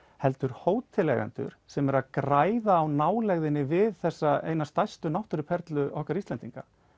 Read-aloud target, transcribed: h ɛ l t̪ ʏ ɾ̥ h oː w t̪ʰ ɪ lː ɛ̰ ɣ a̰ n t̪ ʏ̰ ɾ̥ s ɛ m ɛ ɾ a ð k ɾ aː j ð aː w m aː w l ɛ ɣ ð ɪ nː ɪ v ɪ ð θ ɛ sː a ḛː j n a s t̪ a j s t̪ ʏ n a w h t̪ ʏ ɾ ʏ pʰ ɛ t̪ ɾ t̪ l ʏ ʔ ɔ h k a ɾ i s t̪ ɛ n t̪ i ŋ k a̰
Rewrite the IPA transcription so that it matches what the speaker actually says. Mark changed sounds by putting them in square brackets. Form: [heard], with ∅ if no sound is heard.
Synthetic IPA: h ɛ l t̪ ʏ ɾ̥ h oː w t̪ʰ ɪ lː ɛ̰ ɣ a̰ n t̪ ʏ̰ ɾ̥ s ɛ m ɛ ɾ a ð k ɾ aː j ð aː w [n] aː w l ɛ ɣ ð ɪ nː ɪ v ɪ ð θ ɛ sː a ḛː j n a s t̪ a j s t̪ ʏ n a w h t̪ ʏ ɾ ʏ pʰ ɛ [∅] ɾ t̪ l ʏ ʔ ɔ h k a ɾ i s t̪ ɛ n t̪ i ŋ k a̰